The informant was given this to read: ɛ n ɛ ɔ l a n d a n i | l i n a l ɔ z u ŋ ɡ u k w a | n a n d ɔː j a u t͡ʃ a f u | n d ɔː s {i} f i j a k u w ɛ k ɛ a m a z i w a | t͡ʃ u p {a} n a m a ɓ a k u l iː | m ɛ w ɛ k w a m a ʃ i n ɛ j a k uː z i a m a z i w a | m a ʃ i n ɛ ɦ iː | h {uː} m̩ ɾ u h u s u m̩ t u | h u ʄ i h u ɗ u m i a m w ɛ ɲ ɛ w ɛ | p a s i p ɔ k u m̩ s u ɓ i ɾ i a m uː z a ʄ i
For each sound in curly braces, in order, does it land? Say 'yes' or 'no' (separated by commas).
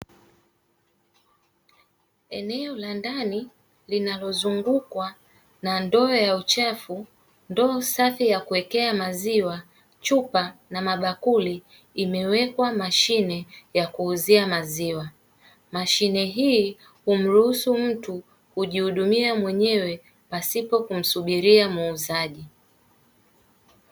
no, yes, no